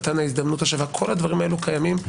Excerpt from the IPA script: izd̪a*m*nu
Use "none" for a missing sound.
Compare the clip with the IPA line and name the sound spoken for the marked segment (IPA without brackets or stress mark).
m